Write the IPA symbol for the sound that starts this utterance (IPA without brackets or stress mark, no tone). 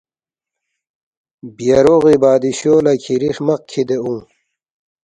b